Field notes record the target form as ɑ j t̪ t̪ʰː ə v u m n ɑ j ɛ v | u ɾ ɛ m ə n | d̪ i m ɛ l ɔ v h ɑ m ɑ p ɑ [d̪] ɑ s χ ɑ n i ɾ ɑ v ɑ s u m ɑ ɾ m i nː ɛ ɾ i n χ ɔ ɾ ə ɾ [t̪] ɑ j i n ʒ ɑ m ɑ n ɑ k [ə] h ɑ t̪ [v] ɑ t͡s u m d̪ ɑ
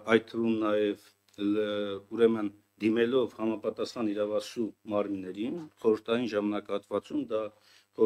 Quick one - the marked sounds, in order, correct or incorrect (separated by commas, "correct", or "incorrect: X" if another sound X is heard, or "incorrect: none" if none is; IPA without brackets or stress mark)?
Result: incorrect: t̪, incorrect: t̪ʰ, incorrect: ɑ, correct